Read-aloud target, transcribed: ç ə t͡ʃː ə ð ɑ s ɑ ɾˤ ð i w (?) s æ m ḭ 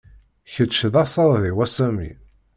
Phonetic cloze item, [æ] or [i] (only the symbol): æ